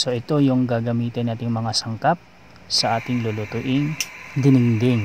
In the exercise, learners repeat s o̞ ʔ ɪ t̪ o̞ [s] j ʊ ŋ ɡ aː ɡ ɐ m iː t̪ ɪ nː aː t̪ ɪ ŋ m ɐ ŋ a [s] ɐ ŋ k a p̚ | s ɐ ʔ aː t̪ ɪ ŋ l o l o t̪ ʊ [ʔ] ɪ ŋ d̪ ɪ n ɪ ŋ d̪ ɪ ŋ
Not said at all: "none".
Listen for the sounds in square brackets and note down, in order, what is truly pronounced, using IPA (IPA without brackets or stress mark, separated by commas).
none, s, ʔ